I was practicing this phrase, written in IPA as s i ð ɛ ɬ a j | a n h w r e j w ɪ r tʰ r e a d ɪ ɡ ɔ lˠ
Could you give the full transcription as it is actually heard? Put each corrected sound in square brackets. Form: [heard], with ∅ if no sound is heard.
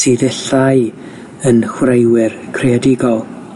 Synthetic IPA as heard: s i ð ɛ ɬ a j | [ə] n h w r e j w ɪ r [kʰ] r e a d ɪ ɡ ɔ lˠ

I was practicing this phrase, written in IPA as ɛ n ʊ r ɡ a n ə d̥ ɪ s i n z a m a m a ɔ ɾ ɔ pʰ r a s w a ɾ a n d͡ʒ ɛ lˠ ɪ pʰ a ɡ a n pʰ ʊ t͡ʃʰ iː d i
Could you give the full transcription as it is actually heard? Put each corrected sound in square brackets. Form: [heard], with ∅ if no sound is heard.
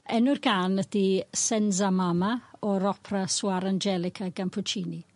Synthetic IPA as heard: ɛ n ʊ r ɡ a n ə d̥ [i] s [ɛ] n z a m a m a ɔ ɾ ɔ pʰ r a s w a ɾ a n d͡ʒ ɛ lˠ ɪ [kʰ] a ɡ a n pʰ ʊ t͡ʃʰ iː [n] i

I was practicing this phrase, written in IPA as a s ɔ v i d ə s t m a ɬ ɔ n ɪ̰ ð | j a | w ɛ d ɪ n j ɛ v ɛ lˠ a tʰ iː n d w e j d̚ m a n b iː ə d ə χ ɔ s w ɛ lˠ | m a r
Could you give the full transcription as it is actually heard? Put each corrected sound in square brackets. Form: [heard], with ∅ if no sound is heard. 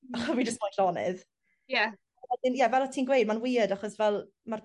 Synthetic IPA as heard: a [χ] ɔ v i [d͡ʒ] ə s t m a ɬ ɔ n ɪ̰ ð | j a | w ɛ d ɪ n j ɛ v ɛ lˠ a tʰ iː n [ɡ] w e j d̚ m a n [w] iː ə d [a] χ ɔ s [v] ɛ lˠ | m a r

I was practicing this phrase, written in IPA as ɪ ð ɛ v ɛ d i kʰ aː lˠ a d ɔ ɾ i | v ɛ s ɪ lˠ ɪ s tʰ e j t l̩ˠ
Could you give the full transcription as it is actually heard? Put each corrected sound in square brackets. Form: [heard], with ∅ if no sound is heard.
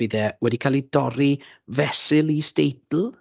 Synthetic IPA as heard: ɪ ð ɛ [w] ɛ d i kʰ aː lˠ [i] d ɔ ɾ i | v ɛ s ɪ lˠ [i] s [t] e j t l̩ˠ

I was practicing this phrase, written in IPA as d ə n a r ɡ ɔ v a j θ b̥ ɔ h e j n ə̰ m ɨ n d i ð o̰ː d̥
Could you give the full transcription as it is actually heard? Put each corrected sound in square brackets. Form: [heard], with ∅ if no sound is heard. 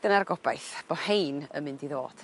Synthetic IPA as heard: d ə n a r ɡ ɔ [b] a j θ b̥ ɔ h e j n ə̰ m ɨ n d i ð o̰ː d̥

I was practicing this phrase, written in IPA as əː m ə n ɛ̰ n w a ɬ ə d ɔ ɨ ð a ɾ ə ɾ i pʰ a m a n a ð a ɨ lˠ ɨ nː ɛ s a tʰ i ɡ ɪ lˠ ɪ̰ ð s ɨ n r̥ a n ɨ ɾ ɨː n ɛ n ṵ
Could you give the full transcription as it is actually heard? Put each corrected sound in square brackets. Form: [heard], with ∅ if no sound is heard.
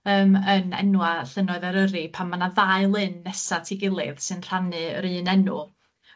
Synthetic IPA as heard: əː m ə n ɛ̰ n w a ɬ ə [n] ɔ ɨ ð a ɾ ə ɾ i pʰ a m a n a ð a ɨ lˠ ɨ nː ɛ s a tʰ i ɡ ɪ lˠ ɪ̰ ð s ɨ n r̥ a n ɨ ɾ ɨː n ɛ n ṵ

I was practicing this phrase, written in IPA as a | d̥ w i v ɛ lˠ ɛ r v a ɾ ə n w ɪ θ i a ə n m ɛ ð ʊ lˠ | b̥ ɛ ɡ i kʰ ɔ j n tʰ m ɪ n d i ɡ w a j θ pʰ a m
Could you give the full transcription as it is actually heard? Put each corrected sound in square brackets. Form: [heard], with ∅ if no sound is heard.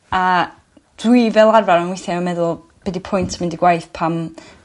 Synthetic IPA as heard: a | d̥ w i v ɛ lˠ [a] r v a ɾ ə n w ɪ θ [j] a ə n m ɛ ð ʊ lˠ | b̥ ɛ [d] i [pʰ] ɔ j n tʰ m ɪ n d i ɡ w a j θ pʰ a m

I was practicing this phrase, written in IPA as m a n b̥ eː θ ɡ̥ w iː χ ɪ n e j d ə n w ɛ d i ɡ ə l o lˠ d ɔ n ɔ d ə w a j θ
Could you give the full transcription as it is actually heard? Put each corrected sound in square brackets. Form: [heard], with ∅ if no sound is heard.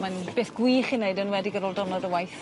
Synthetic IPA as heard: m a n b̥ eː θ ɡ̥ w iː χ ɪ n e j d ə n w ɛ d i ɡ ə [ɾ] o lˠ d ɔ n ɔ d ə w a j θ

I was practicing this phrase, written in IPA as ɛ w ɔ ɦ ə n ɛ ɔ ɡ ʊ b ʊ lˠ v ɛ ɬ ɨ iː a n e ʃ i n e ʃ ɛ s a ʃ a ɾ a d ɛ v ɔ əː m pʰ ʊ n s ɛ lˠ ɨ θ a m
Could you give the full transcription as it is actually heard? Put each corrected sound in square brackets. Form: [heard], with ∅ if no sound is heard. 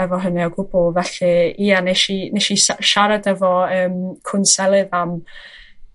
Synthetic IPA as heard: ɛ [v] ɔ ɦ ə n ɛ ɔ ɡ ʊ b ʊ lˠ v ɛ ɬ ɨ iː a n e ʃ i n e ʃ [i] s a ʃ a ɾ a d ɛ v ɔ əː m [kʰ] ʊ n s ɛ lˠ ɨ [ð] a m

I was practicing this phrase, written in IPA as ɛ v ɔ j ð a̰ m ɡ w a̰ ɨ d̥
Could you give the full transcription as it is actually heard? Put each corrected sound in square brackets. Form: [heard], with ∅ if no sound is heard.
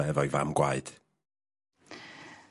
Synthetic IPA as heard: ɛ v ɔ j [v] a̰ m ɡ w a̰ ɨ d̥

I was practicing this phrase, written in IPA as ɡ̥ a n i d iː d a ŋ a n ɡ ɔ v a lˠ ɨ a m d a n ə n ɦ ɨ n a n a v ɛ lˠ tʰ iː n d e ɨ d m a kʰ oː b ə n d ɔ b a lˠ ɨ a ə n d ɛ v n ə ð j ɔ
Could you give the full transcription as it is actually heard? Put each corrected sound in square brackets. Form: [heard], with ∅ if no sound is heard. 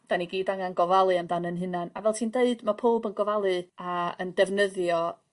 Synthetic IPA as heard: [d̥] a n i [ɡ] iː d a ŋ a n ɡ ɔ v a lˠ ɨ a m d a n ə n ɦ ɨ n a n a v ɛ lˠ tʰ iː n d e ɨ d m a [pʰ] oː b ə n [ɡ] ɔ [v] a lˠ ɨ a ə n d ɛ v n ə ð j ɔ

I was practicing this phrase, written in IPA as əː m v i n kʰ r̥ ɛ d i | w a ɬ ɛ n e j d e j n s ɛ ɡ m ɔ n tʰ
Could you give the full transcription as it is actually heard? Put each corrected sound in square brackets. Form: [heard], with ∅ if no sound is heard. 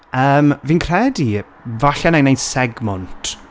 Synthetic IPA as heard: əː m v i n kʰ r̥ ɛ d i | [v] a ɬ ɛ n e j [n] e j n s ɛ ɡ m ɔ n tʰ

